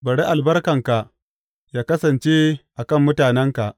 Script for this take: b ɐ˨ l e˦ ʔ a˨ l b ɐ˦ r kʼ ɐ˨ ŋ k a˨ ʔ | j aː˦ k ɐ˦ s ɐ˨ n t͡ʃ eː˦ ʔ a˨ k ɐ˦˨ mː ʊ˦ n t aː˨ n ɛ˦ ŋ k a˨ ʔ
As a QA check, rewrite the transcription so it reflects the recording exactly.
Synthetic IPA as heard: b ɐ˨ ɽ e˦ ʔ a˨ l b ɐ˦ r k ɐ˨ ŋ k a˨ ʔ | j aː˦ k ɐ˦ s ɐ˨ n t͡ʃ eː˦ ʔ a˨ k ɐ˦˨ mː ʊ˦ t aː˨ n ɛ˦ ŋ k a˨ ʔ